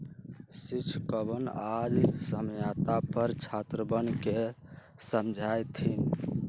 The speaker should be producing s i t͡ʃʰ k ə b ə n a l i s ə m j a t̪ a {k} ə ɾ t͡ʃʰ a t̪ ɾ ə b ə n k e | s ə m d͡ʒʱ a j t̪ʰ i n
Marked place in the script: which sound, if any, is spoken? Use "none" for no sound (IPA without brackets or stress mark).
p